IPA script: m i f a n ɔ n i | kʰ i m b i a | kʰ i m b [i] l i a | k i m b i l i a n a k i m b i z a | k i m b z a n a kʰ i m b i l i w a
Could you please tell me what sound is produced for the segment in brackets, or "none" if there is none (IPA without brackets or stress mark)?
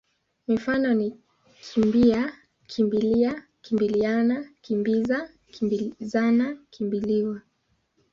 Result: i